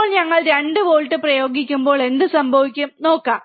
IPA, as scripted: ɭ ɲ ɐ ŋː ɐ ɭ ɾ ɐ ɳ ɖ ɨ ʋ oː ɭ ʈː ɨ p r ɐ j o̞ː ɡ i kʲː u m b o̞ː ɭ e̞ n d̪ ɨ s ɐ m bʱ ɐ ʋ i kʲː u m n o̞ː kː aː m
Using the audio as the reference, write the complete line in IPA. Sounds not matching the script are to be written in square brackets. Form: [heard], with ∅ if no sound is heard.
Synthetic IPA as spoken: ɭ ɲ ɐ ŋː ɐ ɭ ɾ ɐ ɳ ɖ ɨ ʋ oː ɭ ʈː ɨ p r ɐ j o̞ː ɡ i kʲː u m b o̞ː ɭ e̞ n d̪ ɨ s ɐ m bʱ ɐ ʋ i kʲː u m n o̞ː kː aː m

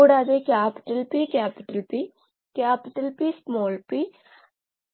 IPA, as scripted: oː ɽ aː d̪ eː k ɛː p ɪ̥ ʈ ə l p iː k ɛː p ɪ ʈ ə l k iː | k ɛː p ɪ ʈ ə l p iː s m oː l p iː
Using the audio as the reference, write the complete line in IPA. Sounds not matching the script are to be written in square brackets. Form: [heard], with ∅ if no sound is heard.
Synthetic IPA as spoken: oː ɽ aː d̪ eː k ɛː p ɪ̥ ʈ ə l p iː k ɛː p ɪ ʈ ə l [p] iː | k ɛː p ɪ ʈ ə l p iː s m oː l p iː

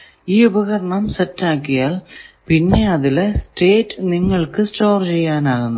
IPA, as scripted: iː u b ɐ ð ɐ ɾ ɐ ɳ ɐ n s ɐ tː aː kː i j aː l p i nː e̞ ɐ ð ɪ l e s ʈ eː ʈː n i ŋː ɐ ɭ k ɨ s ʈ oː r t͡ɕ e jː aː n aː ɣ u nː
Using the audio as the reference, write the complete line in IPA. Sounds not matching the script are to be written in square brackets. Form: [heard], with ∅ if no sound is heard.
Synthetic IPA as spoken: iː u b ɐ [ɣ] ɐ ɾ ɐ ɳ ɐ [m] s ɐ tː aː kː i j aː l p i nː e̞ ɐ ð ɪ l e s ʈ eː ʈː n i ŋː ɐ ɭ k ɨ s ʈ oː r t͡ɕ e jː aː n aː ɣ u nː

